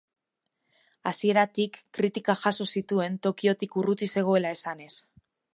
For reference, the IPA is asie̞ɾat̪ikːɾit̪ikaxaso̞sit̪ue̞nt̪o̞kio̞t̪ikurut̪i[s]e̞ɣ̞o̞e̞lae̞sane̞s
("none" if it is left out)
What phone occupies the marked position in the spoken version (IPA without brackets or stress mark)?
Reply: s